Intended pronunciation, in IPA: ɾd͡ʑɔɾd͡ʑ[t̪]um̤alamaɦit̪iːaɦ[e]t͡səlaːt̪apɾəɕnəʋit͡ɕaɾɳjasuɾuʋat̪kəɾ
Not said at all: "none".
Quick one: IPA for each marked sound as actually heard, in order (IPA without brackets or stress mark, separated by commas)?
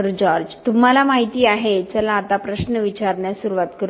t̪, e